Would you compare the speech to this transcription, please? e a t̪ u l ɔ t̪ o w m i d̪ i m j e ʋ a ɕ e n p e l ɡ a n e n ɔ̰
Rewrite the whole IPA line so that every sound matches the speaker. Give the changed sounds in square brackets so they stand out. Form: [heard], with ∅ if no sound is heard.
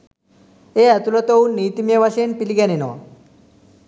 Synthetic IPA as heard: e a t̪ u l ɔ t̪ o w [n] i [t̪] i m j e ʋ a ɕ e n p [i] l ɡ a n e n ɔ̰